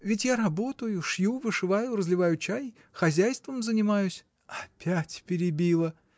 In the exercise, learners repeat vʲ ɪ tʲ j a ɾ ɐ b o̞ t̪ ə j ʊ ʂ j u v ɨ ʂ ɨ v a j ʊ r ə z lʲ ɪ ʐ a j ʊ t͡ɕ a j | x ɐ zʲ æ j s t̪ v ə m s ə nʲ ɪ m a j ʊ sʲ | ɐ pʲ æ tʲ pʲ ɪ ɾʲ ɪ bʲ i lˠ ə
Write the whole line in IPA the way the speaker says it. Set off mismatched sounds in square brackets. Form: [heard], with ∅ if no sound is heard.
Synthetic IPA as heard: vʲ ɪ tʲ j a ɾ ɐ b o̞ t̪ ə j ʊ ʂ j u v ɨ ʂ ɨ v a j ʊ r ə z lʲ ɪ [v] a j ʊ t͡ɕ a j | x ɐ zʲ æ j s t̪ v ə m [z] ə nʲ ɪ m a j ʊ sʲ | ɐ pʲ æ tʲ pʲ ɪ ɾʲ ɪ bʲ i lˠ ə